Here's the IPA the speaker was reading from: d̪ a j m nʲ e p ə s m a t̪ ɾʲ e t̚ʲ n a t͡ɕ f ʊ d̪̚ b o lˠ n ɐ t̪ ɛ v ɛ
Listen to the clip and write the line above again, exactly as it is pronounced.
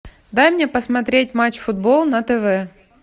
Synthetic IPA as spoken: d̪ a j m nʲ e p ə s m ɐ t̪ ɾʲ e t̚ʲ m a t͡ɕ f ʊ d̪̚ b o lˠ n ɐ t̪ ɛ v ɛ